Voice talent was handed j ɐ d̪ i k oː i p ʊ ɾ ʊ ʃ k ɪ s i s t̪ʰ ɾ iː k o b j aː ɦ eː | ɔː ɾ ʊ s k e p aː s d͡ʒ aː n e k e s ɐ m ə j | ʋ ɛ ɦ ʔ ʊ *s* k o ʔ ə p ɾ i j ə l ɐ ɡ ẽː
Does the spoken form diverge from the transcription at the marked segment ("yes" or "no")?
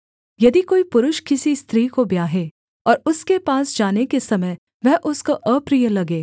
no